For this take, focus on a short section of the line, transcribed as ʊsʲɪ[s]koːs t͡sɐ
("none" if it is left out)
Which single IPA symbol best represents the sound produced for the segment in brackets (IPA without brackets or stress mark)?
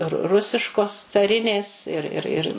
ʃ